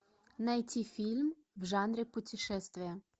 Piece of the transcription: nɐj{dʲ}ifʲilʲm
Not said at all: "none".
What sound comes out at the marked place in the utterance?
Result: tʲ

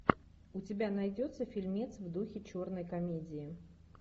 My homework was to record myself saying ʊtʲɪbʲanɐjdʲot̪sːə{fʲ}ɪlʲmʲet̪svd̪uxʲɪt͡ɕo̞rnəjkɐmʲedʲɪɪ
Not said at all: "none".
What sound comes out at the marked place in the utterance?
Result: fʲ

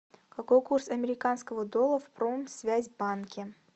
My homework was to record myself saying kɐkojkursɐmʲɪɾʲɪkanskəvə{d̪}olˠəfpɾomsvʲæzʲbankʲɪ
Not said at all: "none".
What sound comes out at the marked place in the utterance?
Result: d̪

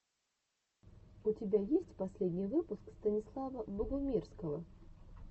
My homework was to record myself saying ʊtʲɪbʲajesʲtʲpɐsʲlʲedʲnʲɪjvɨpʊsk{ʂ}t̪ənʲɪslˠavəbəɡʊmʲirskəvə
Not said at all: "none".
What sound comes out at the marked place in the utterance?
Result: s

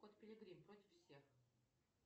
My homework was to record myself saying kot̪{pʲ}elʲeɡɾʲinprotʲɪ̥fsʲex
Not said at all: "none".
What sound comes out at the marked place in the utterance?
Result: pʲ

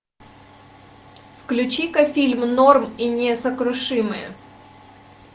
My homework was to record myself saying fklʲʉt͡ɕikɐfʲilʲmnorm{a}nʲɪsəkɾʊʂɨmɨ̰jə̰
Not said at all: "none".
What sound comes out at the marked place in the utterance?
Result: i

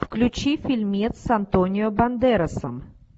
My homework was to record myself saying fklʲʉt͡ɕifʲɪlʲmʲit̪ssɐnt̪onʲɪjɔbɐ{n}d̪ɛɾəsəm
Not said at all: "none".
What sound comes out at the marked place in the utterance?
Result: n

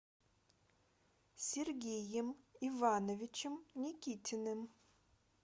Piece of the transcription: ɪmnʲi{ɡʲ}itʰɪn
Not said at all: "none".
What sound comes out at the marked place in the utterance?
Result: kʲ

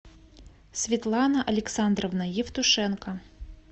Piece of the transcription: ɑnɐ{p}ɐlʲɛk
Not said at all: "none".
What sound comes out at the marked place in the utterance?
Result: ʔ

